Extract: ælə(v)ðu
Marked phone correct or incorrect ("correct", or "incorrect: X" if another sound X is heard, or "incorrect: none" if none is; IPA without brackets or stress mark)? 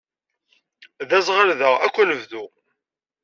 correct